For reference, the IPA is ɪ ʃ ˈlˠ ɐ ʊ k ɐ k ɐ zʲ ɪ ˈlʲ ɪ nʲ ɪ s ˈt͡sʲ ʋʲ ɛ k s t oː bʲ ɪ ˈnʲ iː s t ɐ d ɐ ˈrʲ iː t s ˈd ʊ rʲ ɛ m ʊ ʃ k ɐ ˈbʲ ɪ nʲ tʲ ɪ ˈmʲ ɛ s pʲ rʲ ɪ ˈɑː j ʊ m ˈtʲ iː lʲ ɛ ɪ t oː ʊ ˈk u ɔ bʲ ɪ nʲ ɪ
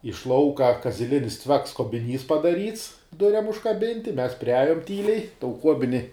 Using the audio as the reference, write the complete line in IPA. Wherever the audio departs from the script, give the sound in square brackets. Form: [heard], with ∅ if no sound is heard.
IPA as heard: ɪ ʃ ˈlˠ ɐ ʊ k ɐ k ɐ zʲ ɪ ˈlʲ ɪ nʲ ɪ s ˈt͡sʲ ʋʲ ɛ k s [k] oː bʲ ɪ ˈnʲ iː s [p] ɐ d ɐ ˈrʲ iː t s ˈd ʊ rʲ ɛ m ʊ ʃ k ɐ ˈbʲ ɪ nʲ tʲ ɪ ˈmʲ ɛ s pʲ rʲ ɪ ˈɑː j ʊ m ˈtʲ iː lʲ ɛ ɪ t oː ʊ ˈk u ɔ bʲ ɪ nʲ ɪ